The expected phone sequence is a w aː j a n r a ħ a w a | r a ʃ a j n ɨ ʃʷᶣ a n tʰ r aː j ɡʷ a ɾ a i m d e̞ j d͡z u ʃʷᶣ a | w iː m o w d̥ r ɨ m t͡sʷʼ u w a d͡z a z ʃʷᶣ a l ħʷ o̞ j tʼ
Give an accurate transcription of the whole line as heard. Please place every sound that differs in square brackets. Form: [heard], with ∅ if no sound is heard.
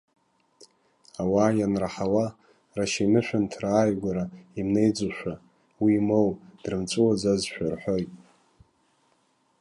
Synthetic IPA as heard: a w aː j a n r a ħ a w a | r a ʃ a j n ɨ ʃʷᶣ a n tʰ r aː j ɡʷ a ɾ a i m [n] e̞ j d͡z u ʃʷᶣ a | w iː m o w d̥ r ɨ m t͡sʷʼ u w a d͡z a z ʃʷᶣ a [r] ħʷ o̞ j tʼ

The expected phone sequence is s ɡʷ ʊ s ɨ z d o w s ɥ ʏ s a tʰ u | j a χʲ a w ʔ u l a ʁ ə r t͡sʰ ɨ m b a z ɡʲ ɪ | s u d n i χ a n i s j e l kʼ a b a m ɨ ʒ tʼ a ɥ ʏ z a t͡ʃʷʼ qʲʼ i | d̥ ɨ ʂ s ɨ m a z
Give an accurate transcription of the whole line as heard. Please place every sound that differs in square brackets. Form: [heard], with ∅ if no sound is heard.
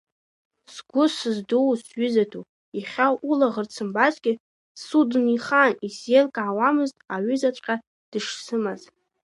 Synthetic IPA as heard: s ɡʷ ʊ s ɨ z d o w s ɥ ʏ [z] a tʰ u | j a χʲ a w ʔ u l a ʁ ə r t͡sʰ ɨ m b a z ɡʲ ɪ | s u d n i χ a n i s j e l kʼ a [w] a m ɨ [z] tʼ a ɥ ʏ z a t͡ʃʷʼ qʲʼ [a] | d̥ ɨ ʂ s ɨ m a z

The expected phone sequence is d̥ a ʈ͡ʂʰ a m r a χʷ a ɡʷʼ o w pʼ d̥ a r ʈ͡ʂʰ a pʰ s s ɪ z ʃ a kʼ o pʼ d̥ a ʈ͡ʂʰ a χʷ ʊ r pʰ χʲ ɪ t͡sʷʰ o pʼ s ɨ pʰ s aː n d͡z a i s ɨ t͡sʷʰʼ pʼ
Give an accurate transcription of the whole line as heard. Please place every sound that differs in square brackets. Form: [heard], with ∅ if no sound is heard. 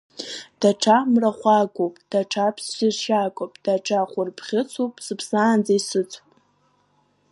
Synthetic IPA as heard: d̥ a ʈ͡ʂʰ a m r a χʷ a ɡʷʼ o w pʼ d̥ a [∅] ʈ͡ʂʰ a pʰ s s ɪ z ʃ a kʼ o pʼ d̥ a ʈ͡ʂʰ a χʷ ʊ r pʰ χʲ ɪ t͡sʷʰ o pʼ s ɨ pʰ s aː n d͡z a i s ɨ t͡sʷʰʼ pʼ

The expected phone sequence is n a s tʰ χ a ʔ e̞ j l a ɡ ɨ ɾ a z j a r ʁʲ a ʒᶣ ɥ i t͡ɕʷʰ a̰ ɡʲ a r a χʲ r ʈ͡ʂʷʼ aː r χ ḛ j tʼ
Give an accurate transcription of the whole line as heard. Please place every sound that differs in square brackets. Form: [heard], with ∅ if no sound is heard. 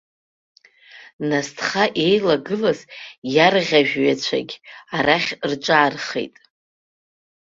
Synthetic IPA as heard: n a s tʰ χ a ʔ e̞ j l a ɡ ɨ [l] a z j a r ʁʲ a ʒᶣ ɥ [a] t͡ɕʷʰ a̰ ɡʲ a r a χʲ r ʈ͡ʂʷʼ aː r χ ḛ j tʼ

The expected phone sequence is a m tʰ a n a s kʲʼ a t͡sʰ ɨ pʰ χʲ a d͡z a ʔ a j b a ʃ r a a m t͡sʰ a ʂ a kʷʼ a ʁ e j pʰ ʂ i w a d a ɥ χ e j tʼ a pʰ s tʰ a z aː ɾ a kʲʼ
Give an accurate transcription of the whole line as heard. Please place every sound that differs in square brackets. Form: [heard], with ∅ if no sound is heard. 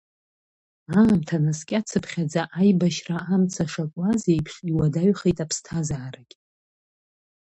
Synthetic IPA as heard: a m tʰ a n a s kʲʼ a t͡sʰ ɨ pʰ χʲ a d͡z a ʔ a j b a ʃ r a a m t͡sʰ a ʂ a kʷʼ a [z] e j pʰ ʂ i w a d a ɥ χ e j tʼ a pʰ s tʰ a z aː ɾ a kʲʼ

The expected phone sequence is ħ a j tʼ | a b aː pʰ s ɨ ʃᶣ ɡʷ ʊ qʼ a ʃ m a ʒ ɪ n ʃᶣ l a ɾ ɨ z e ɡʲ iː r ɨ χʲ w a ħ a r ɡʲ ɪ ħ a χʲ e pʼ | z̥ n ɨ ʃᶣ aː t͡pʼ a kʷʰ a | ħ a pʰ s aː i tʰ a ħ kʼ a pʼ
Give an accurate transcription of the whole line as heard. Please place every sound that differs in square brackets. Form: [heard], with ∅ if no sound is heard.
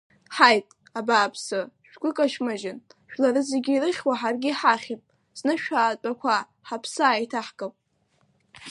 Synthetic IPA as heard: ħ a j tʼ | a b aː pʰ s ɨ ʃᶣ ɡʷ ʊ [kʼ] a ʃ m a ʒ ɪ n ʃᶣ l a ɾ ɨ z e ɡʲ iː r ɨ χʲ w a ħ a r ɡʲ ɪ ħ a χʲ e pʼ | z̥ n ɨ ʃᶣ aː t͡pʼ a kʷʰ a | ħ a pʰ s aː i tʰ a ħ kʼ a pʼ

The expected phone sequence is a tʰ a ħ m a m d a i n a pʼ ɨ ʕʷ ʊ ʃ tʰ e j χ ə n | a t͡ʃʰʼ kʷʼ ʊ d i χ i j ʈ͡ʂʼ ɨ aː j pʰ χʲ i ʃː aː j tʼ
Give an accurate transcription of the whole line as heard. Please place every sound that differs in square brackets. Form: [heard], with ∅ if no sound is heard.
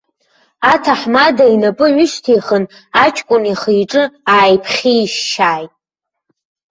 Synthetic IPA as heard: a tʰ a ħ m a [∅] d a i n a pʼ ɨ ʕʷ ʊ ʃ tʰ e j χ ə n | a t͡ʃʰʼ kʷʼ ʊ [n] i χ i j ʈ͡ʂʼ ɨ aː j pʰ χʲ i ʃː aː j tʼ

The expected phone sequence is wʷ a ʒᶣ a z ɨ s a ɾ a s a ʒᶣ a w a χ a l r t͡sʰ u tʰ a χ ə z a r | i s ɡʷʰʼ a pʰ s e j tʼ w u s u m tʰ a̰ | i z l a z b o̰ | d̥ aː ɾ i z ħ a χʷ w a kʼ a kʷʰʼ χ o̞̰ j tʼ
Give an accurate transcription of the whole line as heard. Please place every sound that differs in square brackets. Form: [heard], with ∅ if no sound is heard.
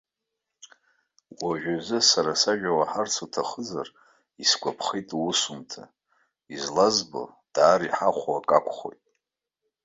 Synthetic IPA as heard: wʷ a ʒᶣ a z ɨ s a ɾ a s a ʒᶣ a w a [ħ] a [∅] r t͡sʰ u tʰ a χ ə z a r | i s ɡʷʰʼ a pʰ [χ] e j tʼ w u s u m tʰ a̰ | i z l a z b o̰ | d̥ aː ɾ i [∅] ħ a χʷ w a kʼ a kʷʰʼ χ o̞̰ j tʼ

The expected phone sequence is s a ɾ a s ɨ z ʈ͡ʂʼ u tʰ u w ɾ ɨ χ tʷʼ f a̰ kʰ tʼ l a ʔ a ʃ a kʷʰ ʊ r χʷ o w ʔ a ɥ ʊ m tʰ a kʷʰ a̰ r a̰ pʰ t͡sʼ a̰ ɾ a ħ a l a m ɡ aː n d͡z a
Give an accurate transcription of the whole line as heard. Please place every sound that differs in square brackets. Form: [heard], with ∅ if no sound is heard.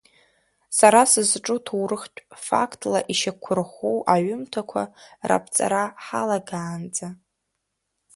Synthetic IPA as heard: s a ɾ a s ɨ z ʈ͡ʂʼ u tʰ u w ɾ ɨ χ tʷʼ f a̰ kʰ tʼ l a ʔ [i] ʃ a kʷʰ ʊ r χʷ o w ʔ a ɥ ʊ m tʰ a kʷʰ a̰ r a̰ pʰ t͡sʼ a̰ ɾ a ħ a l a [∅] ɡ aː n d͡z a

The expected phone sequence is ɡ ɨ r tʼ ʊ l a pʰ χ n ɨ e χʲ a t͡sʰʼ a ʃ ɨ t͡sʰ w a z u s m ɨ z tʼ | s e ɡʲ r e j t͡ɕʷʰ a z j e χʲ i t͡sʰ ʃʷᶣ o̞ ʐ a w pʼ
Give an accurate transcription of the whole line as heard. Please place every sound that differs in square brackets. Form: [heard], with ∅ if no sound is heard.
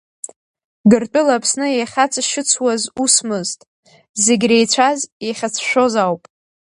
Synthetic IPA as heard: ɡ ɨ r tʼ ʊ l a pʰ [s] n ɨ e χʲ a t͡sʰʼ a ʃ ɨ t͡sʰ w a z u s m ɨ z tʼ | [z] e ɡʲ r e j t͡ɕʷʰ a z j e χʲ [a] t͡sʰ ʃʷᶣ o̞ [z] a w pʼ

